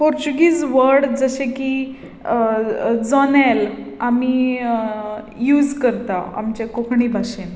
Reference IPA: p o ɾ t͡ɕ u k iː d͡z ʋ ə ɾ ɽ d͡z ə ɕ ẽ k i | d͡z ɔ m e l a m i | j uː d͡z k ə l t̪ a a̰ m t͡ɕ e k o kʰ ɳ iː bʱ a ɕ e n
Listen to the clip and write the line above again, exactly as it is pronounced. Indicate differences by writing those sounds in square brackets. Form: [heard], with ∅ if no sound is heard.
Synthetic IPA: p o ɾ t͡ɕ u [ɡ] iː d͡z ʋ ə ɾ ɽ d͡z ə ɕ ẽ k i | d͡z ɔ [n] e l a m i | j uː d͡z k ə [ɾ] t̪ a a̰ m t͡ɕ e k o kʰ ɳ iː bʱ a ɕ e n